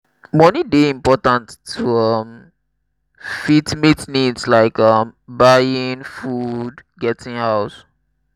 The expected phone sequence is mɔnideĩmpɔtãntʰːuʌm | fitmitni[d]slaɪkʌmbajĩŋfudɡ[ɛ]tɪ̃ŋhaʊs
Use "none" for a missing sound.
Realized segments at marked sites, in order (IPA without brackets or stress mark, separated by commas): d, ɛ